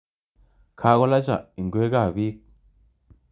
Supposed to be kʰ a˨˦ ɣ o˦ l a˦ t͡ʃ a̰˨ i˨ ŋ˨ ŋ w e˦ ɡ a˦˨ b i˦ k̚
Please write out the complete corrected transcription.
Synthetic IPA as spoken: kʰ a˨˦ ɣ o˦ l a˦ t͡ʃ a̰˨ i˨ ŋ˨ ɡ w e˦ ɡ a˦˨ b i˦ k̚